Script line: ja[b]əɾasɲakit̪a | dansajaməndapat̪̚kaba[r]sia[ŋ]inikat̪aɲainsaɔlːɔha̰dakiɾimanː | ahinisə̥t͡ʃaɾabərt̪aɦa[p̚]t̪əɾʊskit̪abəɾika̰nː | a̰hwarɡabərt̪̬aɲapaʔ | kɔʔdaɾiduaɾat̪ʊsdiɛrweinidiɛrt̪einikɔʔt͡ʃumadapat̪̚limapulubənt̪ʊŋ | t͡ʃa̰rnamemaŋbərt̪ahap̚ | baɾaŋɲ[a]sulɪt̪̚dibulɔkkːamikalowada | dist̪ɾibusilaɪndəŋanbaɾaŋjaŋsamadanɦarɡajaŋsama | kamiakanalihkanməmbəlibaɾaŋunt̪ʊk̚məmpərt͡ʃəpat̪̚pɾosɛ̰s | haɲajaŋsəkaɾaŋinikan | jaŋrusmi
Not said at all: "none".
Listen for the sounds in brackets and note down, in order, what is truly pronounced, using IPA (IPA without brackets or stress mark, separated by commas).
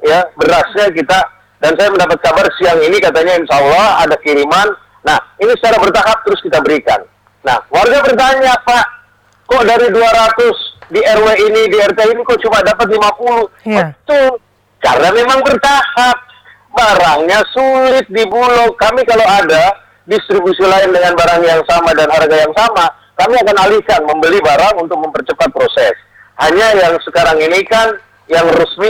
b, r, ŋ, p̚, a